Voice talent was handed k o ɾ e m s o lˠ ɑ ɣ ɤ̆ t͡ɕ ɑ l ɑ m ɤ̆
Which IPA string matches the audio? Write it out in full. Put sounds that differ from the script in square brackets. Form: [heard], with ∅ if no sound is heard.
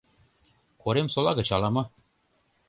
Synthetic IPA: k o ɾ e m s o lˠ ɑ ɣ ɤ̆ t͡ɕ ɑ l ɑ m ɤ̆